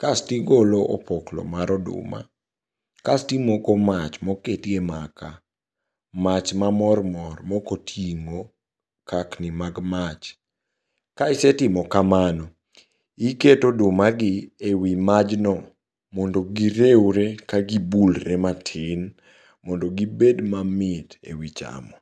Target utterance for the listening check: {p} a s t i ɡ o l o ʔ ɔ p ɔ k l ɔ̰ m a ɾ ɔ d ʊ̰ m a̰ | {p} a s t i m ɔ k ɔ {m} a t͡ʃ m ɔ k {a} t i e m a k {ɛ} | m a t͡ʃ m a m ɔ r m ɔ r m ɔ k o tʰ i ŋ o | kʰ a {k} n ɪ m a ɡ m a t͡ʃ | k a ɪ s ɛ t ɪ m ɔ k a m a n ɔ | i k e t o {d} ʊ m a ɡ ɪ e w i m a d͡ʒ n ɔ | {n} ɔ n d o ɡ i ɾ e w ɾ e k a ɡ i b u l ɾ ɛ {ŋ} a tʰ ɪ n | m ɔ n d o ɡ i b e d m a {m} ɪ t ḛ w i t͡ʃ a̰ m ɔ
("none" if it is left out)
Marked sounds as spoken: k, k, m, e, a, k, d, m, m, m

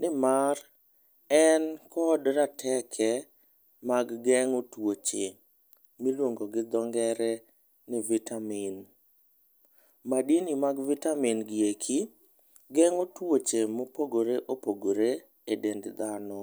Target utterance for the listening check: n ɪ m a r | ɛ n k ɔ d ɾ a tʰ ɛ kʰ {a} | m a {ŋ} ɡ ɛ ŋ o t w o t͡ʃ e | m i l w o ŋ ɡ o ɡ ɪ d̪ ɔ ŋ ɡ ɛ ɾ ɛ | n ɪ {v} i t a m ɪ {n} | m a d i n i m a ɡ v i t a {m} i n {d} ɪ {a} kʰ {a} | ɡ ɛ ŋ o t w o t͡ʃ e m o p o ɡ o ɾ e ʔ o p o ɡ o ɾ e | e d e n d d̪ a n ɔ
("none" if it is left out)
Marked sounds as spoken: ɛ, ɡ, v, n, m, ɡ, e, i

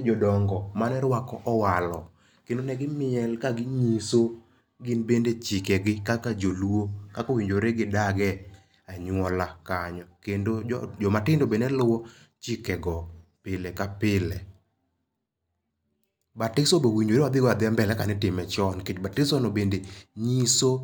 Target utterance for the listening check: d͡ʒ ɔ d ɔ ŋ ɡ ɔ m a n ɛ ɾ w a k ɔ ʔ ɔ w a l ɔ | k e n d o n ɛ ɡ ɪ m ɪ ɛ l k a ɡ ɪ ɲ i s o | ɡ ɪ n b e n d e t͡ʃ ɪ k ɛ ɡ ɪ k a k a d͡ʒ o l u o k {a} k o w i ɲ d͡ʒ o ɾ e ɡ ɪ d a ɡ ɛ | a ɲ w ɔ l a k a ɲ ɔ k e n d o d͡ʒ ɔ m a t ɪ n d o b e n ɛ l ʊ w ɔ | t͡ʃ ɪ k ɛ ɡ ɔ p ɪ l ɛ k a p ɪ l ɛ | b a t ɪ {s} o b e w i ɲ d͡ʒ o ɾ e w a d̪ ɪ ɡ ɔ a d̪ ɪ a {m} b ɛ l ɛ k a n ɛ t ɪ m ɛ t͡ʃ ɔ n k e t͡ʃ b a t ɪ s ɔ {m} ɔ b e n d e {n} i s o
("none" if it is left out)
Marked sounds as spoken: a, s, m, n, ɲ

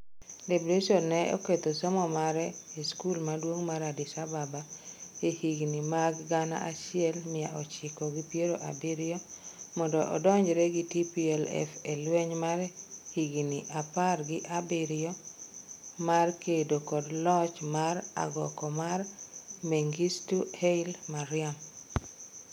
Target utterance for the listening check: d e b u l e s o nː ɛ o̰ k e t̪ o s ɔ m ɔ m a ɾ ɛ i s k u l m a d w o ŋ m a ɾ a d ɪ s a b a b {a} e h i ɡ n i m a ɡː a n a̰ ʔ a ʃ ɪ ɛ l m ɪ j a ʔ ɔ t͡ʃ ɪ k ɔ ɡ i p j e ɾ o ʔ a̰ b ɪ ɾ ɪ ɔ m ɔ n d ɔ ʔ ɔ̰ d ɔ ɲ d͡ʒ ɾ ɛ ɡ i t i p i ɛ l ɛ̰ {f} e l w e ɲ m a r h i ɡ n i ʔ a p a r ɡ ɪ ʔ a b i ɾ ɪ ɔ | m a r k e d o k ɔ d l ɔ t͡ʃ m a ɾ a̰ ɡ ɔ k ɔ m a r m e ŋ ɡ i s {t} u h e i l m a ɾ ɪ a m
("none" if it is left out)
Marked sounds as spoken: a, f, t

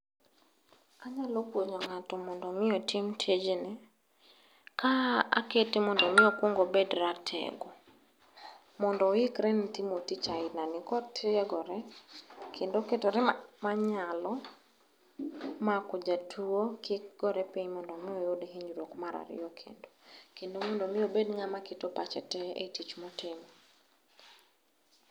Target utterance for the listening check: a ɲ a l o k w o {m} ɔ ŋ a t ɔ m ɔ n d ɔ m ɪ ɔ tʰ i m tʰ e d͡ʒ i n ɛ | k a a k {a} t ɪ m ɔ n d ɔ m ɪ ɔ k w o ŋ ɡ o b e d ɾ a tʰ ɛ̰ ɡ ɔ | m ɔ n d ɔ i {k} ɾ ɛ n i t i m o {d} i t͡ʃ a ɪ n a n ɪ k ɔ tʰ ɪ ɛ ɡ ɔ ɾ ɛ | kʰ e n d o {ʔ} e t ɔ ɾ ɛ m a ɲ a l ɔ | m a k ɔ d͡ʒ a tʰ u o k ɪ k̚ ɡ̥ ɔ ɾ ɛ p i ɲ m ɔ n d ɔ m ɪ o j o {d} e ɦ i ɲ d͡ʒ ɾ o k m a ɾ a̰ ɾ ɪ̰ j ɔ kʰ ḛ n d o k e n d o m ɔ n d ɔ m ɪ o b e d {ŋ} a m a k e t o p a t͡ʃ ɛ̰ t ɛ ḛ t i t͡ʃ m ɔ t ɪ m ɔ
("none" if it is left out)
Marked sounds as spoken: ɲ, e, k, t, k, d, ŋ

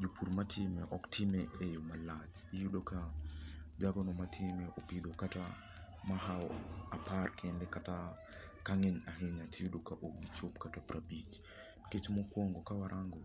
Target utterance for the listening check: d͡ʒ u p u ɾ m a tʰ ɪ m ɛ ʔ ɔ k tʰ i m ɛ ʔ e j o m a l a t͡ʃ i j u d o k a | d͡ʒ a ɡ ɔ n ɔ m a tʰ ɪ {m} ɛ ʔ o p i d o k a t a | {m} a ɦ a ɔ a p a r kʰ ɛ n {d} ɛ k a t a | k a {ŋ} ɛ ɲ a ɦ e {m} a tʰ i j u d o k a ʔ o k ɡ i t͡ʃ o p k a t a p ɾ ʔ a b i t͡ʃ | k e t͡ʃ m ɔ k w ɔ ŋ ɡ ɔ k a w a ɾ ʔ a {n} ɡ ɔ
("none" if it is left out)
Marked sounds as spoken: m, m, d, ŋ, ɲ, ŋ

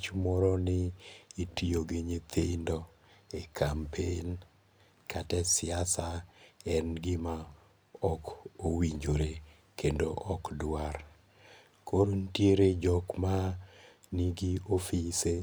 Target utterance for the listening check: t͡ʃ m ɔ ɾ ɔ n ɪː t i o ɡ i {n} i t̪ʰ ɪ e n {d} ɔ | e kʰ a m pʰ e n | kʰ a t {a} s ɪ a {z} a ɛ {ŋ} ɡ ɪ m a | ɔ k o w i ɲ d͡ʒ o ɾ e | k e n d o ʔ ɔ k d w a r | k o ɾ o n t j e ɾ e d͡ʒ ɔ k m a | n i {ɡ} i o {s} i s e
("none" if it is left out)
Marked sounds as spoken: ɲ, d, ɛ, s, n, ɡ, f

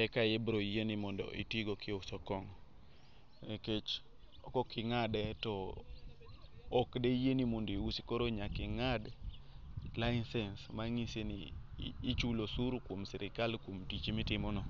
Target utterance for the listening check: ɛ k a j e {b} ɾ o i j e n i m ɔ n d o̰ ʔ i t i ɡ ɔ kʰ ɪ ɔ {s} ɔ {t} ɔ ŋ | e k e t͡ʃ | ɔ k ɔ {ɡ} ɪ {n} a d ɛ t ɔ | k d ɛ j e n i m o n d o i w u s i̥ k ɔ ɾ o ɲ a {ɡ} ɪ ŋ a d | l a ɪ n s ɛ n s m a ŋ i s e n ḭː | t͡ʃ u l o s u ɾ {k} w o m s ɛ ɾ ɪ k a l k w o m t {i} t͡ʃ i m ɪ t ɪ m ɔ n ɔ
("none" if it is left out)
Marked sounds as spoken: b, s, k, k, ŋ, k, k, i

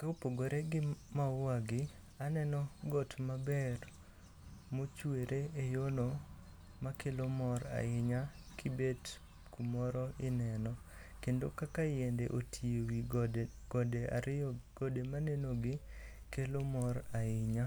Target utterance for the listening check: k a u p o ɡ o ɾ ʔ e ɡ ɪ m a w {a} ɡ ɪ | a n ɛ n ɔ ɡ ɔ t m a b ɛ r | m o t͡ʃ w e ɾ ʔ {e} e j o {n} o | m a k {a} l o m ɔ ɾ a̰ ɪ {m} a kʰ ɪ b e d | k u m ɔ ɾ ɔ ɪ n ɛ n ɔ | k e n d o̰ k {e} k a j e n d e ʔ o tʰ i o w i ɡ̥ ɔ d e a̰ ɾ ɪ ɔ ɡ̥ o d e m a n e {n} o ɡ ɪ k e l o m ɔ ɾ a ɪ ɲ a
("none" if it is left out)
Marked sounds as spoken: a, e, n, e, ɲ, a, n

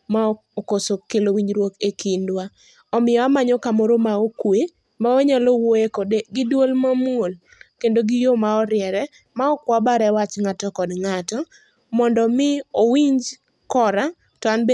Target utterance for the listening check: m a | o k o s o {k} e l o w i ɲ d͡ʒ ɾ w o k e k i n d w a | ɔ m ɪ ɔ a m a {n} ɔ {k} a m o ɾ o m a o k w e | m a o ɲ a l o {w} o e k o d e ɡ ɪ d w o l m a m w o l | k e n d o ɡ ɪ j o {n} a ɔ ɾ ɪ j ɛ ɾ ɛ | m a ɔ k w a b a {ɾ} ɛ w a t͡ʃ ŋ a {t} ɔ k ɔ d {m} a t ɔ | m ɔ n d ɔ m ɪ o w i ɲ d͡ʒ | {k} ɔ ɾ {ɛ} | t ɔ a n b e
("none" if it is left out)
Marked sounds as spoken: k, ɲ, k, w, m, ɾ, t, ŋ, k, a

